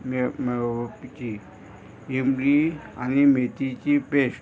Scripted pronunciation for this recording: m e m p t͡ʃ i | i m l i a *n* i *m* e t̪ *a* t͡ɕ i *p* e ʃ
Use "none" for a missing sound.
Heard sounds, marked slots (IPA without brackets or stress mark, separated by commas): n, m, i, p